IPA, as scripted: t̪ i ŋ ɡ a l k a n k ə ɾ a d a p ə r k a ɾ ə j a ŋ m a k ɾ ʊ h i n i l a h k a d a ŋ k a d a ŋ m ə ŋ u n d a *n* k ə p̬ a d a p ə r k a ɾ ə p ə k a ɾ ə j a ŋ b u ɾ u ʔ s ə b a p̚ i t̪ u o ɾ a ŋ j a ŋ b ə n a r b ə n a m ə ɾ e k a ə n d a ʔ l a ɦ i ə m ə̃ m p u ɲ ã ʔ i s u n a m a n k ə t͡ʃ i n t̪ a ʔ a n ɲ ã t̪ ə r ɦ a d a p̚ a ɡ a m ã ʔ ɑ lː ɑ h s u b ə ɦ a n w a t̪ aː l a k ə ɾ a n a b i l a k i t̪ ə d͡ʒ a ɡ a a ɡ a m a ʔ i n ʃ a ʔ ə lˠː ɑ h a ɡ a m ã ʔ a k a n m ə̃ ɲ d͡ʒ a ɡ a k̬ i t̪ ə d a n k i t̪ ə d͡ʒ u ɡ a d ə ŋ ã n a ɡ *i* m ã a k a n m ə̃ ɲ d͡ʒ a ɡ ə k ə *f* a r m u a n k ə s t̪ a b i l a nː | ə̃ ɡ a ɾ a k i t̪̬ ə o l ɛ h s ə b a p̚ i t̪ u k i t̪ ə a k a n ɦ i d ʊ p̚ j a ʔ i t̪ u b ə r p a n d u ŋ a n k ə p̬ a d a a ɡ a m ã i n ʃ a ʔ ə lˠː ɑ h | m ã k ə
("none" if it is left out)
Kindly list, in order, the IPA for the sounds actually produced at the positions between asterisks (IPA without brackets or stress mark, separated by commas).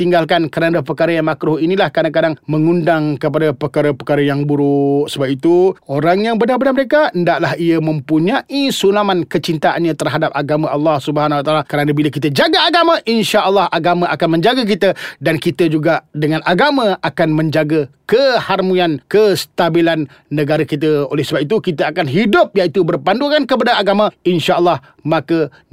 ŋ, a, h